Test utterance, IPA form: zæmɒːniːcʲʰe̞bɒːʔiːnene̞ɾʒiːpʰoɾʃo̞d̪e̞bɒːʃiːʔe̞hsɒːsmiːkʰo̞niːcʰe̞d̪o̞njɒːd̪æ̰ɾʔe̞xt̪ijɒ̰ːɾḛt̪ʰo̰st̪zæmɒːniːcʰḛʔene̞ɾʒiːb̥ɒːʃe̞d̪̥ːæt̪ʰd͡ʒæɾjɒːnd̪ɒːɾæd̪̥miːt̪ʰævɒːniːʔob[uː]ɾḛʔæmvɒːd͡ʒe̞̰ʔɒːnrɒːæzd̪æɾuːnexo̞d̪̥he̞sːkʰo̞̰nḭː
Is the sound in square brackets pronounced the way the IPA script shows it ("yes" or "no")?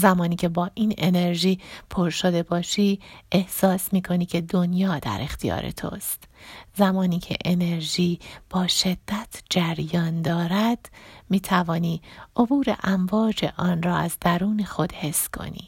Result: yes